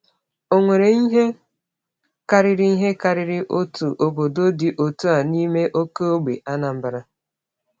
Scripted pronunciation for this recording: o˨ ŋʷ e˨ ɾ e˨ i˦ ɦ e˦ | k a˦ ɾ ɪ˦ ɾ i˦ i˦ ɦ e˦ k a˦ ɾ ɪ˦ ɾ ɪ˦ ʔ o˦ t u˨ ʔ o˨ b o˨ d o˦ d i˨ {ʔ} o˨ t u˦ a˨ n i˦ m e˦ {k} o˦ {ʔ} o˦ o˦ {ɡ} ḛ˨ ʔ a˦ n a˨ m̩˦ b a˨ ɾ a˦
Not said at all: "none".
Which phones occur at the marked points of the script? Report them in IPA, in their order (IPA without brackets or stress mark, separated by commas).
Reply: ʔ, ʔ, k, ɡ͡b